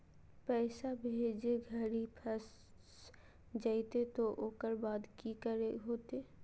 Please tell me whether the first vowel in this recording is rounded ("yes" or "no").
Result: no